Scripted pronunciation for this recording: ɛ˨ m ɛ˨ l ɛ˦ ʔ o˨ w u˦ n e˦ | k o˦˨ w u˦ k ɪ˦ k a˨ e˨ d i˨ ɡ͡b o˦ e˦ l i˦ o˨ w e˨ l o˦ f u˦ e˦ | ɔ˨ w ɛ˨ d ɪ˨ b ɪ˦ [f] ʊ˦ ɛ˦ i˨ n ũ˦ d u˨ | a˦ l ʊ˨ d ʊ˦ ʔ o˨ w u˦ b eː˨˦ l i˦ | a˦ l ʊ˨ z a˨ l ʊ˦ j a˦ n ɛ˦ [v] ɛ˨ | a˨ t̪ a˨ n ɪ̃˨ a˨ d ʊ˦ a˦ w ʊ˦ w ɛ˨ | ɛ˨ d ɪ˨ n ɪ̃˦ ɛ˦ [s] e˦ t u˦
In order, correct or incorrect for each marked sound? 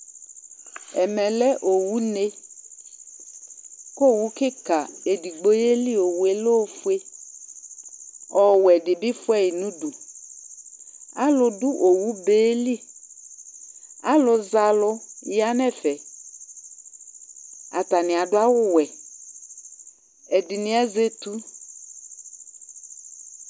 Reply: correct, incorrect: f, incorrect: z

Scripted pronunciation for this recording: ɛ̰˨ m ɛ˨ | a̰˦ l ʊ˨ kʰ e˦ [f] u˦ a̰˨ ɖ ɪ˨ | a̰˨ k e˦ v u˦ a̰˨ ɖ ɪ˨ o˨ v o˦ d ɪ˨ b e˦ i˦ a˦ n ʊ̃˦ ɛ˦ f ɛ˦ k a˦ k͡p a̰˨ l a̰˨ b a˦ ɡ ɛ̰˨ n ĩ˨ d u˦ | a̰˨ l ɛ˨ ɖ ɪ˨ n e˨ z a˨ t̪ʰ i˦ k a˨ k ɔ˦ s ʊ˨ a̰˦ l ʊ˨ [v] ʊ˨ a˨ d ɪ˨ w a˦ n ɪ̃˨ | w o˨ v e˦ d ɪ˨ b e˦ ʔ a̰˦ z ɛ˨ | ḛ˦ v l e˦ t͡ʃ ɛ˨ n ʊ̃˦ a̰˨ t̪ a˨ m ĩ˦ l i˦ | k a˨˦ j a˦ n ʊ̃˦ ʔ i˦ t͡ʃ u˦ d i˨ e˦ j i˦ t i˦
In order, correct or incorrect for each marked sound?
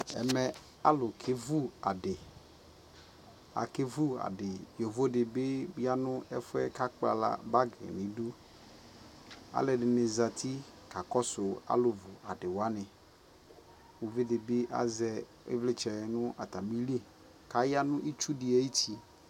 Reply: incorrect: v, correct

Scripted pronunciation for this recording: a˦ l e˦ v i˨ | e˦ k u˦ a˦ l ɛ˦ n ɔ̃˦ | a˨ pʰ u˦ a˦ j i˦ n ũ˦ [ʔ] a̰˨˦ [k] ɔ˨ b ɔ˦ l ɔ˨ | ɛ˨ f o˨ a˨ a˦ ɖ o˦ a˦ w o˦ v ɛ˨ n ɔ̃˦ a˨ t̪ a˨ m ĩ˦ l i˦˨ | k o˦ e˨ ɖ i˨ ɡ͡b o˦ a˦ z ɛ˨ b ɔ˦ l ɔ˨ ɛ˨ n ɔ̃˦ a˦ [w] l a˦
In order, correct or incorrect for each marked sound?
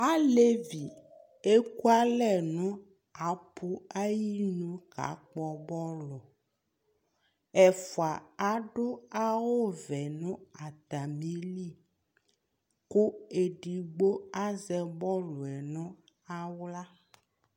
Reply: incorrect: k, incorrect: k͡p, correct

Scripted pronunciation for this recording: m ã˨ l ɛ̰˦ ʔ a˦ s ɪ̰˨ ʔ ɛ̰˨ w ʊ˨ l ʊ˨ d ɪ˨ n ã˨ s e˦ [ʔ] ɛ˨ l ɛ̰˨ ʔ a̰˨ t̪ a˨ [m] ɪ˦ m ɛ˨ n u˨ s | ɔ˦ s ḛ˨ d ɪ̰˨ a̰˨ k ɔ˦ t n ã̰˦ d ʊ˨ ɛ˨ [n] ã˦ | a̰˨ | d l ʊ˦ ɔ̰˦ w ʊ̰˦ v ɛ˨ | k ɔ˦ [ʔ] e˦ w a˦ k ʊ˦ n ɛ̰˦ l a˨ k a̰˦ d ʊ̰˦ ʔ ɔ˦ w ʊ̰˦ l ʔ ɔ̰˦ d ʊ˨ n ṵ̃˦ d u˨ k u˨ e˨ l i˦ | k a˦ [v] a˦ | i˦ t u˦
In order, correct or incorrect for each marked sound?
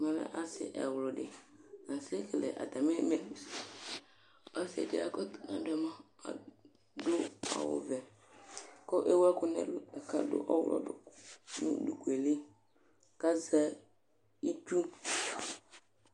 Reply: incorrect: k, correct, incorrect: m, correct, incorrect: z

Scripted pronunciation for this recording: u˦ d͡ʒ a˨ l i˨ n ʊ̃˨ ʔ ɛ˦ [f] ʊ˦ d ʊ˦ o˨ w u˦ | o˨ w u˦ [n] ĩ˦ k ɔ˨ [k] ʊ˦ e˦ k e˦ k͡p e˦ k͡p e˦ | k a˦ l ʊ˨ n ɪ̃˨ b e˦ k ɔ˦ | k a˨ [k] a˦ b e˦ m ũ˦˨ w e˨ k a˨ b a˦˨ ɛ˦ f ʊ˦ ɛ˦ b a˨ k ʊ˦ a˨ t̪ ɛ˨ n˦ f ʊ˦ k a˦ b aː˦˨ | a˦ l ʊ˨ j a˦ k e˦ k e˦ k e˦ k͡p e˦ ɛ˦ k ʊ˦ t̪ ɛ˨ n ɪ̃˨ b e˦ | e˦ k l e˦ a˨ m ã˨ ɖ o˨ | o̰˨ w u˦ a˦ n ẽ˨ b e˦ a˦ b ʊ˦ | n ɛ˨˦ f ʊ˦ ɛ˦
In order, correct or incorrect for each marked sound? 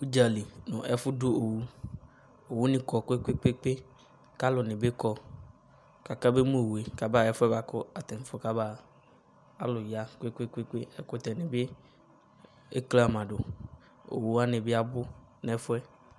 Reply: correct, correct, correct, correct

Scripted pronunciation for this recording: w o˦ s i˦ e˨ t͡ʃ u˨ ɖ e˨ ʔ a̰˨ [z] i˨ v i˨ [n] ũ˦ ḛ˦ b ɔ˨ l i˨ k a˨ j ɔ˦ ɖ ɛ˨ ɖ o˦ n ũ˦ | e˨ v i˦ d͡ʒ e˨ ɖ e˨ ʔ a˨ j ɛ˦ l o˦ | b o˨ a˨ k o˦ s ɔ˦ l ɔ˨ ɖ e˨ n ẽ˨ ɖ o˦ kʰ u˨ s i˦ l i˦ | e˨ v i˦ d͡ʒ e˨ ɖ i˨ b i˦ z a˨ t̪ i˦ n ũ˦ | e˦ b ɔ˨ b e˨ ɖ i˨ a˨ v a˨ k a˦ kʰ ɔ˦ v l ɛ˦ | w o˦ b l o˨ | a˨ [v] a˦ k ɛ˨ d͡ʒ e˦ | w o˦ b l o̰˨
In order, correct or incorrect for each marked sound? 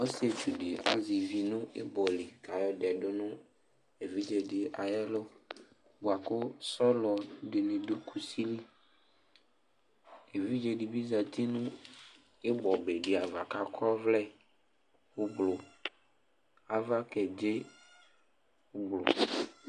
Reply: correct, correct, correct

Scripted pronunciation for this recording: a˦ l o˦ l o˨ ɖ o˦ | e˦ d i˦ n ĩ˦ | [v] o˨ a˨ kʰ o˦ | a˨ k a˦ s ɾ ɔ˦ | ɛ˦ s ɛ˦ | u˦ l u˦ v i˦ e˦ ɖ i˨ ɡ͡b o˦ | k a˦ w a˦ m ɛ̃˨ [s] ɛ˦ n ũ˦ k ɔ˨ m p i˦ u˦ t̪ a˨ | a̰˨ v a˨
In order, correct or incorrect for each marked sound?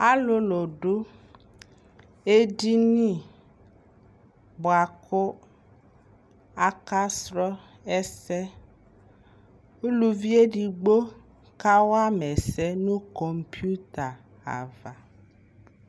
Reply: incorrect: b, correct

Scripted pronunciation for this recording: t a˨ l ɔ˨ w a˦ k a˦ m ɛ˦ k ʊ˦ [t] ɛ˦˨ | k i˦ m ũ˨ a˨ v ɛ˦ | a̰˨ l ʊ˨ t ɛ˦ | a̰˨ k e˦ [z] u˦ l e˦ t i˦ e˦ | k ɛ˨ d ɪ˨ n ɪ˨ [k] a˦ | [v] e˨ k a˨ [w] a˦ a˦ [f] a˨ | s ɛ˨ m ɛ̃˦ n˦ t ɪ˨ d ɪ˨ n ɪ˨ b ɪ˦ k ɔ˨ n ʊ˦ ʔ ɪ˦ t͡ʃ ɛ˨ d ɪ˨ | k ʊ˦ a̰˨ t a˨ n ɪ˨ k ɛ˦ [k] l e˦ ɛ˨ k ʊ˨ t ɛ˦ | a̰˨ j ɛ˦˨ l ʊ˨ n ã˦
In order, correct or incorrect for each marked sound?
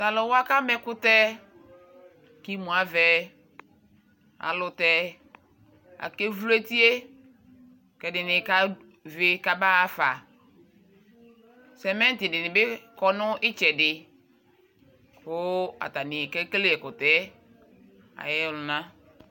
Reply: correct, incorrect: v, correct, correct, incorrect: b, correct, correct

